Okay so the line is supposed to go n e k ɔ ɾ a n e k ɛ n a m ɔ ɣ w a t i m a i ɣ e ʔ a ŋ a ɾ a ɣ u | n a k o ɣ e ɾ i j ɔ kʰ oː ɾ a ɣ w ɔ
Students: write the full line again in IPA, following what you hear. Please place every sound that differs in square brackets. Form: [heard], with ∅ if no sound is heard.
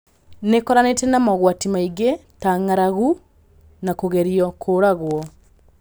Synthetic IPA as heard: n e k ɔ ɾ a n e [t] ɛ n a m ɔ ɣ w a t i m a i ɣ e [t] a ŋ a ɾ a ɣ u | n a k o ɣ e ɾ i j ɔ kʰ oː ɾ a ɣ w ɔ